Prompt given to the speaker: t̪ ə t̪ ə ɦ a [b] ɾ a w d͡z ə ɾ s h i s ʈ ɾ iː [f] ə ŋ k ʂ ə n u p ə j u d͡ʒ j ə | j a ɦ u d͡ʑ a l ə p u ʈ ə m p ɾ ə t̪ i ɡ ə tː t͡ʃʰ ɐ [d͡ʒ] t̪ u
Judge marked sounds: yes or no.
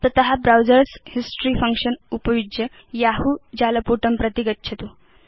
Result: yes, yes, no

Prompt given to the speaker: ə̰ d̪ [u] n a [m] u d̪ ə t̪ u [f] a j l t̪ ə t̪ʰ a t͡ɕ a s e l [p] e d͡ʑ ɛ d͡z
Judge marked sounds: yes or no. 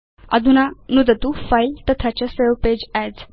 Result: yes, no, yes, yes

